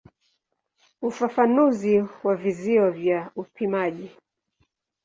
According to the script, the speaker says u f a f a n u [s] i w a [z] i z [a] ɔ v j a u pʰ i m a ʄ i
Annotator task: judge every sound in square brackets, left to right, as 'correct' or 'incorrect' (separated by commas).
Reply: incorrect, incorrect, incorrect